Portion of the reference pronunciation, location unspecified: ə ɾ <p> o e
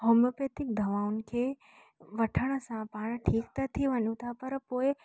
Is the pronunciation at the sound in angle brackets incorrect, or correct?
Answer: correct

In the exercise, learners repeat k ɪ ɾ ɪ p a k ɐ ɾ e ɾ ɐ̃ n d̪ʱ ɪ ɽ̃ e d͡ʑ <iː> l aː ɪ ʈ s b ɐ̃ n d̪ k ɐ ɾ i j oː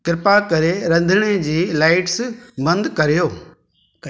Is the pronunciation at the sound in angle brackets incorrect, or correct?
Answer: correct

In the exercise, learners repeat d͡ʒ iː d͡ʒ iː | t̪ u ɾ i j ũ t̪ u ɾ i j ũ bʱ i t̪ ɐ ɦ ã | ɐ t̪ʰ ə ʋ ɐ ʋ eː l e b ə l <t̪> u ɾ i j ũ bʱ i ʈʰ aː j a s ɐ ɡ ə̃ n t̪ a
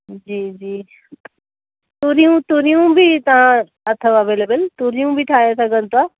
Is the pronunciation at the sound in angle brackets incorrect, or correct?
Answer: correct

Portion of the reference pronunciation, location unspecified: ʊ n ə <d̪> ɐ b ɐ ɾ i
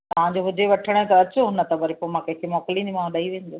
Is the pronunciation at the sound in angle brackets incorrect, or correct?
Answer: incorrect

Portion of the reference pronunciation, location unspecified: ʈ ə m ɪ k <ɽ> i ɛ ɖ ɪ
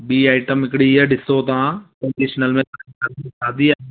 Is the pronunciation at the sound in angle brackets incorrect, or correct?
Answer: correct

